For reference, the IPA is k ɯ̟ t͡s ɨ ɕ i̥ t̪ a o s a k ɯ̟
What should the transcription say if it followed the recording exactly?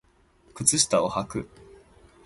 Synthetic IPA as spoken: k ɯ̟ t͡s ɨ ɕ i̥ t̪ a o h a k ɯ̟